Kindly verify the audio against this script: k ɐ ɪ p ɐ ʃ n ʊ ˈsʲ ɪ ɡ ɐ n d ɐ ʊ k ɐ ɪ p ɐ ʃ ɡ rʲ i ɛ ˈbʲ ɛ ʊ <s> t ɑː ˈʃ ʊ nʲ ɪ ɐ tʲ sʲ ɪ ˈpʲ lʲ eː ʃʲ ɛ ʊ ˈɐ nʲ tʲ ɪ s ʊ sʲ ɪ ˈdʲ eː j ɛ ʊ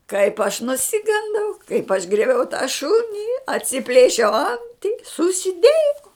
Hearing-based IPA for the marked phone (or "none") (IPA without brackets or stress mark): none